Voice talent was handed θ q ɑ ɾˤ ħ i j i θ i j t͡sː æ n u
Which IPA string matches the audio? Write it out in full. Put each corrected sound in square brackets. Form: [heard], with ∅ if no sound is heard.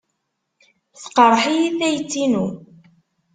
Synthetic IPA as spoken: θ q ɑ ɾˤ ħ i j i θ [æ] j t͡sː [i] n u